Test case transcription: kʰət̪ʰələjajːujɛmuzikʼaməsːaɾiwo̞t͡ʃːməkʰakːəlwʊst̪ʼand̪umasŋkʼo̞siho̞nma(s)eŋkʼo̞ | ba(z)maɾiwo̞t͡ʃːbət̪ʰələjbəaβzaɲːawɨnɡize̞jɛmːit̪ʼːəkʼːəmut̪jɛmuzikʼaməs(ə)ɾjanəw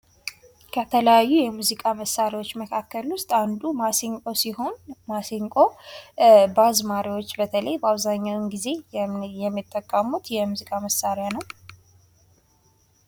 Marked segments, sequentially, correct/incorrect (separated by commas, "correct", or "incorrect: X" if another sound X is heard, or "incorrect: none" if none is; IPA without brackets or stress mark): correct, correct, incorrect: a